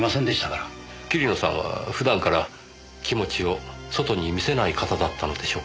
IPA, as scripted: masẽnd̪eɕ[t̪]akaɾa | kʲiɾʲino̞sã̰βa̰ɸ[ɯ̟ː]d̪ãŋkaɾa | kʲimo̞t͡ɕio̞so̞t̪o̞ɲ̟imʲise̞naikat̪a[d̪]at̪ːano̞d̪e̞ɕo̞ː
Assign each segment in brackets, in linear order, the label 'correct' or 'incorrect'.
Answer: correct, incorrect: ɯ̟, correct

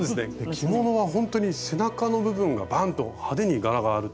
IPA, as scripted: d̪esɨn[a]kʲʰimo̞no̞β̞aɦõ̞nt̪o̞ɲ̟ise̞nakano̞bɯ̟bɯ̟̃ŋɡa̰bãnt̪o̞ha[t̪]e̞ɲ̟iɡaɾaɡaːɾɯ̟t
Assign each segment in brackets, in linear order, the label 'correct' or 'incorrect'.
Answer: incorrect: e, incorrect: d̪

